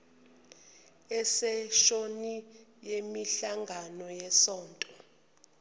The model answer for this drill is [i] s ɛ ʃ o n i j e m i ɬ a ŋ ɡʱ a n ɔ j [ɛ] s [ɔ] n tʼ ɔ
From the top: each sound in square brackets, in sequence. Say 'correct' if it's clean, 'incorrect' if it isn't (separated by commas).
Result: incorrect, correct, incorrect